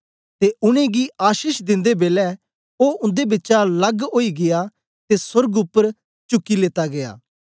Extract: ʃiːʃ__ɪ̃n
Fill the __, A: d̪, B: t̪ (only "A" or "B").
A